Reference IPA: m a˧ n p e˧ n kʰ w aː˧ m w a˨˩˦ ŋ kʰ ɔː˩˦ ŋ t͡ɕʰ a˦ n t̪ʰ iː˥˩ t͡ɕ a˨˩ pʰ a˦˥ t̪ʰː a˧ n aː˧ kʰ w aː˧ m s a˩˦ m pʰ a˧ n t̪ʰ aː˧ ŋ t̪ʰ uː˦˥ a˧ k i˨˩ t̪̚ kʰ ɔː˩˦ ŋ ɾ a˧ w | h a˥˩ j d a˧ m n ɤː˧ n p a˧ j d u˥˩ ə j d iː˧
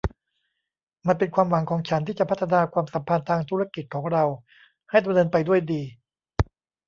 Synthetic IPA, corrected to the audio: m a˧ n p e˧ n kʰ w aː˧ m w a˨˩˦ ŋ kʰ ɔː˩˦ ŋ t͡ɕʰ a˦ n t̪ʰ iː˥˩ t͡ɕ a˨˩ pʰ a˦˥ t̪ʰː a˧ n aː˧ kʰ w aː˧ m s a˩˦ m pʰ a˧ n t̪ʰ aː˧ ŋ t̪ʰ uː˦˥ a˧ k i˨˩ t̪̚ kʰ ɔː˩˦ ŋ ɾ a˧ w | h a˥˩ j d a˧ m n ɤː˧ n p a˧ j d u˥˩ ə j d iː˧